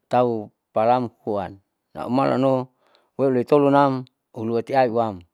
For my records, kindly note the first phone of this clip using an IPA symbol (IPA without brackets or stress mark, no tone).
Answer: t̪